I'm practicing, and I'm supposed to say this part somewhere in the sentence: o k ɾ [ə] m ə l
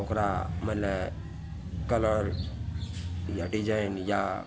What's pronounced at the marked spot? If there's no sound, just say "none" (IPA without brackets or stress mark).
a